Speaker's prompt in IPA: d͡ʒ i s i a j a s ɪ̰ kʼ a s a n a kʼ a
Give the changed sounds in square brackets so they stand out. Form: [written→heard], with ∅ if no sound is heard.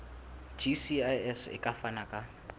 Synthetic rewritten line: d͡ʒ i s i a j [a→ɛ] s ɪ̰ kʼ a [s→f] a n a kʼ a